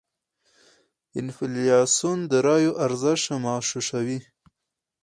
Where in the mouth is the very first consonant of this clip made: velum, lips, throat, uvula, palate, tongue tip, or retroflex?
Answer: tongue tip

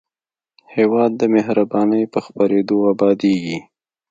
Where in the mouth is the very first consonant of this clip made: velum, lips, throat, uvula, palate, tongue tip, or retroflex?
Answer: throat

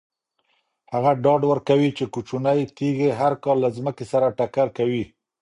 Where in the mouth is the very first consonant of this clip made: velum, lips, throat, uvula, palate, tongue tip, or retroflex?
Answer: throat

